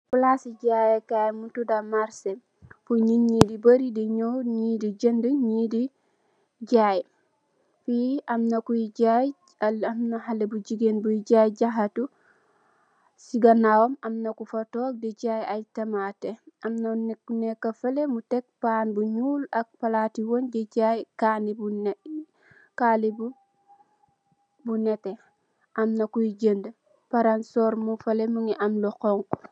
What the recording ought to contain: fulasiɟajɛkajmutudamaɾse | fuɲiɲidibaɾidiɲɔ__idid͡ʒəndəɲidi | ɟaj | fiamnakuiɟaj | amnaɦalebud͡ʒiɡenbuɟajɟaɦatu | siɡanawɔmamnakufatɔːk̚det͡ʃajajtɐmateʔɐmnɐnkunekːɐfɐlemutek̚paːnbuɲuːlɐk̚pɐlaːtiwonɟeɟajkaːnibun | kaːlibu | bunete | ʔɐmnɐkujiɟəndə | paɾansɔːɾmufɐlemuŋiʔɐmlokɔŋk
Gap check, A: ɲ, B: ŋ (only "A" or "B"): A